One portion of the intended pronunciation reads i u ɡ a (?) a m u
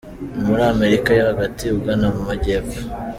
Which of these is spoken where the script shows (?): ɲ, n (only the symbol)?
n